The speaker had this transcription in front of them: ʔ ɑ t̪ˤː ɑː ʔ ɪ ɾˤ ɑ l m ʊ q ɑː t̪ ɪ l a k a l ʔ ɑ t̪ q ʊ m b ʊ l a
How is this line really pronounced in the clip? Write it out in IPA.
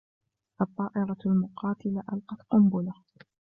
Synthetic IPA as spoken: ʔ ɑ t̪ˤː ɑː ʔ ɪ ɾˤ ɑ l m ʊ q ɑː t̪ ɪ l a ʔ a l q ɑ t̪ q ʊ m b ʊ l a